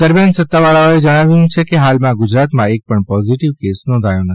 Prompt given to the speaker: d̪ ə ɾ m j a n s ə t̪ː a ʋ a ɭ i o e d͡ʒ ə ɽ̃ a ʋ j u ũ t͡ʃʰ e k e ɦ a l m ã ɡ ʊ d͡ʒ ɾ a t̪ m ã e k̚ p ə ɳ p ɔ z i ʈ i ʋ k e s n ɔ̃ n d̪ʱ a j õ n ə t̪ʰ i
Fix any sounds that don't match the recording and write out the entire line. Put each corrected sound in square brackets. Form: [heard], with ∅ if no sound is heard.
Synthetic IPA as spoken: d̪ ə ɾ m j a n s ə t̪ː a ʋ a ɭ [a] o e d͡ʒ ə ɽ̃ a ʋ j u ũ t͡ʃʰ e k e ɦ a l m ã ɡ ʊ d͡ʒ ɾ a t̪ m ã e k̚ p ə ɳ p ɔ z i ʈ i ʋ k e s n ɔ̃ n d̪ʱ a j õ n ə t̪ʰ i